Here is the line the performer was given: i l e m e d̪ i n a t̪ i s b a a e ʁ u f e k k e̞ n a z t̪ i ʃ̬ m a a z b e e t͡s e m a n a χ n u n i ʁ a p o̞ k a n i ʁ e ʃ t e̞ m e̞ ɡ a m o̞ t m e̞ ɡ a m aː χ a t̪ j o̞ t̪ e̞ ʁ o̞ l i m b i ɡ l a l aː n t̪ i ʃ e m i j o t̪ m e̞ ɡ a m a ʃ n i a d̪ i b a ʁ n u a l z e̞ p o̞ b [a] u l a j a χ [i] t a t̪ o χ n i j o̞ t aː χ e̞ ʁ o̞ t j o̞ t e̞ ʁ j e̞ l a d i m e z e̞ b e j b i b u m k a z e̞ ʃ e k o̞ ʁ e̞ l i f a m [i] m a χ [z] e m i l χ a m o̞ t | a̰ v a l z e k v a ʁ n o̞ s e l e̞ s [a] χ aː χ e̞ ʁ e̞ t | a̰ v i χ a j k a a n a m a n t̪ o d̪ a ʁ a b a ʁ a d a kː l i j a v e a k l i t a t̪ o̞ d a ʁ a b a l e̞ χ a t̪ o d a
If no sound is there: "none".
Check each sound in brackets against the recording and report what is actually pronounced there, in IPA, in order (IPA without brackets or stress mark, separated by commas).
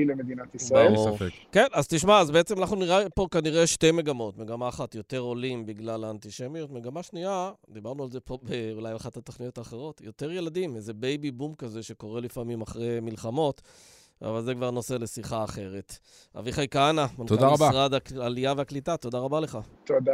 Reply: e, a, i, ʁ, i